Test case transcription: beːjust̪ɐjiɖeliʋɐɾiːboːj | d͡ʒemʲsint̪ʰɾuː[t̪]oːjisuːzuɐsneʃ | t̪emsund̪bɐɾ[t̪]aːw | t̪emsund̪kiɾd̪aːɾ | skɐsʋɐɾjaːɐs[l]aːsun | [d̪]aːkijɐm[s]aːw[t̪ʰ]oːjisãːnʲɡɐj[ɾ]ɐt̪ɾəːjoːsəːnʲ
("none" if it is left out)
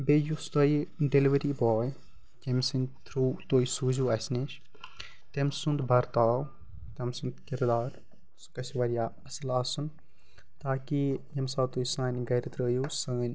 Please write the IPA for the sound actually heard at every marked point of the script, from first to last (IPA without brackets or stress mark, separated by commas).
t̪, t̪, l, t̪, s, t̪, ɾ